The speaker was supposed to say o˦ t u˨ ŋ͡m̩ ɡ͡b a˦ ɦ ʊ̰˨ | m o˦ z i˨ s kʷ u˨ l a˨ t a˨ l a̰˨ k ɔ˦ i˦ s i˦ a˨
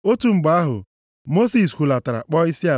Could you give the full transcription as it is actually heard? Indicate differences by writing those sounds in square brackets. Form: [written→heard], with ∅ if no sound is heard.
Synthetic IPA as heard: o˦ t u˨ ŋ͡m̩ ɡ͡b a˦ ɦ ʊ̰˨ | m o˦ [z→s] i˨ s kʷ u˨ l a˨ t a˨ [l→ɾ] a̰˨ [k→k͡p] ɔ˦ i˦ s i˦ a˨